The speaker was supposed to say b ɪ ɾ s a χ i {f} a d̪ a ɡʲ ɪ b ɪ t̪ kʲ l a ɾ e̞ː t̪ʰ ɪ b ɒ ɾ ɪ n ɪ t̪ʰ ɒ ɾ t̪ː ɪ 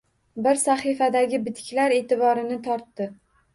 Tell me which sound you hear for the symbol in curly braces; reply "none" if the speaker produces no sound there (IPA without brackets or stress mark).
f